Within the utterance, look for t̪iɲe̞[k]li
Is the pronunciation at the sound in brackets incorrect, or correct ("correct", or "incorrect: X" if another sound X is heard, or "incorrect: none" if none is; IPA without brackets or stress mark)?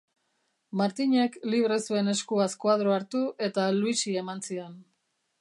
correct